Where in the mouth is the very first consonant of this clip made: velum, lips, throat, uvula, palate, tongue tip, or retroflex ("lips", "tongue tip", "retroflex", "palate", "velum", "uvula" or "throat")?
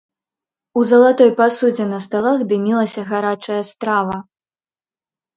tongue tip